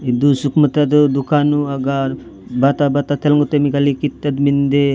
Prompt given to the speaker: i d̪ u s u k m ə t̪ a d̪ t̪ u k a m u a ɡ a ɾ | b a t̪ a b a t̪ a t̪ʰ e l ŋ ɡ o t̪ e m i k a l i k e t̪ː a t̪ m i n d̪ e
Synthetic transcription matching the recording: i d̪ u s u k m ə t̪ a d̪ d̪ u k a n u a ɡ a ɾ | b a t̪ a b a t̪ a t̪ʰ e l ŋ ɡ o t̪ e m i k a l i k i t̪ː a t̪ m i n d̪ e